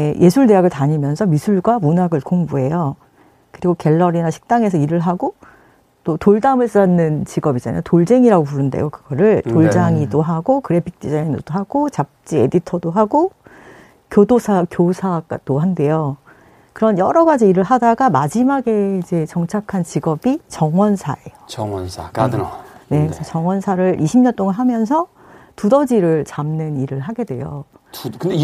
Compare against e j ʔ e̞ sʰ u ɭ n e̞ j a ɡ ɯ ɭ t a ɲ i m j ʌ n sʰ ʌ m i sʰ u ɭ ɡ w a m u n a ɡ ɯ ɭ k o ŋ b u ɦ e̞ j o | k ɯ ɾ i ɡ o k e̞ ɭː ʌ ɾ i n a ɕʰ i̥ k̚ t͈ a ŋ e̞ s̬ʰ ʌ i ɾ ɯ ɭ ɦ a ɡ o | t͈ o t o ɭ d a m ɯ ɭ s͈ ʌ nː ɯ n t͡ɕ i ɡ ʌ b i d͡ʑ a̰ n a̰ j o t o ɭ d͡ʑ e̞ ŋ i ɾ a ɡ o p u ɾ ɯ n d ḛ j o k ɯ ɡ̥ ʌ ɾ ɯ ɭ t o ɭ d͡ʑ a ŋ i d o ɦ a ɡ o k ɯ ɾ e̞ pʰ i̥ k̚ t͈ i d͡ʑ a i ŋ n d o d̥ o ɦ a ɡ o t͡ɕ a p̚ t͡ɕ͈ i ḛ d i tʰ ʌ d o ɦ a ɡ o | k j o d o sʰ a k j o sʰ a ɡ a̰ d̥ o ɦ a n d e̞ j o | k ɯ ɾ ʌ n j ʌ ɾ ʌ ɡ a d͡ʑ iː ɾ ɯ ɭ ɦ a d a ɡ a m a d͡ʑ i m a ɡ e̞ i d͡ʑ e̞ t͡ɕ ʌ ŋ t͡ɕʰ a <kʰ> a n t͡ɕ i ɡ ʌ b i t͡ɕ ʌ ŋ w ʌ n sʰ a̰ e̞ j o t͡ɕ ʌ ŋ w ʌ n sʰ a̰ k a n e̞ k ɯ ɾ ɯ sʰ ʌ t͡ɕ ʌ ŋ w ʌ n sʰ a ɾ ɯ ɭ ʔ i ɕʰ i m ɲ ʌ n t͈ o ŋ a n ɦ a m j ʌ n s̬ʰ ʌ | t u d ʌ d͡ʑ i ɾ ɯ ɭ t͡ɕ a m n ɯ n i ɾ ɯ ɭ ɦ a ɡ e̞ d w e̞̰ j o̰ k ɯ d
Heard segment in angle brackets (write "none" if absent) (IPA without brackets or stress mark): kʰ